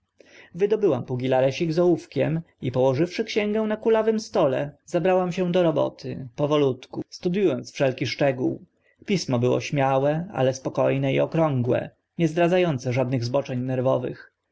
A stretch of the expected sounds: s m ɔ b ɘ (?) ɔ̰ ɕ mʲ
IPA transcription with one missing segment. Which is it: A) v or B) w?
B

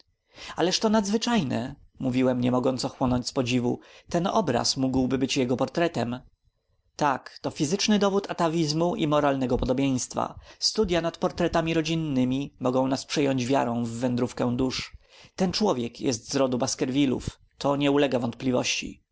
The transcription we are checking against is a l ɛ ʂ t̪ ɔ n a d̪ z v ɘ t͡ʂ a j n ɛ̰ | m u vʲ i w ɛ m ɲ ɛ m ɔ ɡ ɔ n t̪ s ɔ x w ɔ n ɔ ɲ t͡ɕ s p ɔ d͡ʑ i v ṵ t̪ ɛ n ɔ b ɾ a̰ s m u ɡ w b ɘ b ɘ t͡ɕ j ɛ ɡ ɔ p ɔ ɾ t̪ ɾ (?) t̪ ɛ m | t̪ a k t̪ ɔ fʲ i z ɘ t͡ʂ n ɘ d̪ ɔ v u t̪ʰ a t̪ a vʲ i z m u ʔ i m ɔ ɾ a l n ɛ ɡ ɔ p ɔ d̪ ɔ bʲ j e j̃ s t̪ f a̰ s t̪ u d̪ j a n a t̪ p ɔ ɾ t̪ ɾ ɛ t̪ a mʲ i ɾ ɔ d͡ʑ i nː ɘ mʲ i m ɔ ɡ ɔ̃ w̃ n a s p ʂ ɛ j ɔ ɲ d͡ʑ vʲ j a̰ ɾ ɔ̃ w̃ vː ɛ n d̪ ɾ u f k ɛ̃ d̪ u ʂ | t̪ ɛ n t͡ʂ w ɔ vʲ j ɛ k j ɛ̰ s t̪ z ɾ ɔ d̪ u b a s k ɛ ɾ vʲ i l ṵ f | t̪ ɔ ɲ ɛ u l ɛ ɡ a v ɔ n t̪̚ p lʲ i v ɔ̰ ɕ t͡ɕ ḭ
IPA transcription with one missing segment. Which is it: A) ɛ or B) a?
A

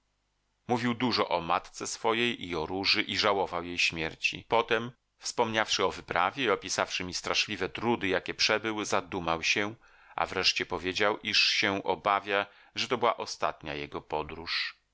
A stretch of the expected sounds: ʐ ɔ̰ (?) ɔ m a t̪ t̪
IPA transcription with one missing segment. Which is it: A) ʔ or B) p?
A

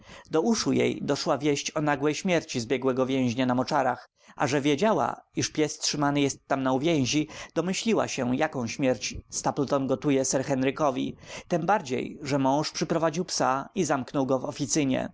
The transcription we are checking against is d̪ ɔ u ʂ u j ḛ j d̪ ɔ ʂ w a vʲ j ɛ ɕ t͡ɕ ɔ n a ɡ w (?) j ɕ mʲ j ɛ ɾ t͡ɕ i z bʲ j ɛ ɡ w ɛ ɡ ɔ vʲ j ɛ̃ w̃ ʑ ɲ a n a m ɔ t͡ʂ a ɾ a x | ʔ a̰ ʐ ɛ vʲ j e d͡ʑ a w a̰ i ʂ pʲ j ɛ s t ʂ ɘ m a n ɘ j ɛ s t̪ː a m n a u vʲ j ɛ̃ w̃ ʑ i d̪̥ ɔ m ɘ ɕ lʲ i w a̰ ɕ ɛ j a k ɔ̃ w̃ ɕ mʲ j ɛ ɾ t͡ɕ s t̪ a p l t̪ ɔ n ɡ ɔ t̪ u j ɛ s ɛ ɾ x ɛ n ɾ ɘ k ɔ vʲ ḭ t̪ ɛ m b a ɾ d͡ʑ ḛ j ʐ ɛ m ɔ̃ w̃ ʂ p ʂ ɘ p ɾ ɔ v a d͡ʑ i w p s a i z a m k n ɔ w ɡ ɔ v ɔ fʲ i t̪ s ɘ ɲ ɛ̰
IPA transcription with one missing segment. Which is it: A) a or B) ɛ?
B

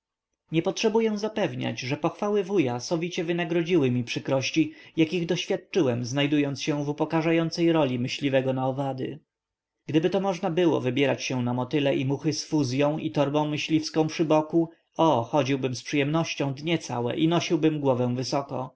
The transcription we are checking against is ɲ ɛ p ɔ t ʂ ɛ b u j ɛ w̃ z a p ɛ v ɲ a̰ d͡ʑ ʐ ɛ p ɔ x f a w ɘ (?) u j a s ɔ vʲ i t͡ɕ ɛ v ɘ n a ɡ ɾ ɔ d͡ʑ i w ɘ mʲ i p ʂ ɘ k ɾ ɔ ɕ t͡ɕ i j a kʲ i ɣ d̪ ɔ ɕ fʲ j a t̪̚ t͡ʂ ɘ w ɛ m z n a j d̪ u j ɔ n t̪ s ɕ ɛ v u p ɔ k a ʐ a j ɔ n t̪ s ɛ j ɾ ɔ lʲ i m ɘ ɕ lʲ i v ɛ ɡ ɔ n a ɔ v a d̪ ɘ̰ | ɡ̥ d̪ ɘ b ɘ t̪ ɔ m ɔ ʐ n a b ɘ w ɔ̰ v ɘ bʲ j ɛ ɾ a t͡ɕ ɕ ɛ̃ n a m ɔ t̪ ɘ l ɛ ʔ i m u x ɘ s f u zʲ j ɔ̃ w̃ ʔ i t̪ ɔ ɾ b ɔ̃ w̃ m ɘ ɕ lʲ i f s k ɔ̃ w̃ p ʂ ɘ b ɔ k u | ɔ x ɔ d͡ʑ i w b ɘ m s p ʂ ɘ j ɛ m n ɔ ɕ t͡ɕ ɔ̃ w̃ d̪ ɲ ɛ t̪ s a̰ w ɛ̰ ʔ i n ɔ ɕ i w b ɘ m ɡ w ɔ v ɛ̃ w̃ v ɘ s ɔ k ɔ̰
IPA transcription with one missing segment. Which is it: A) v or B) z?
A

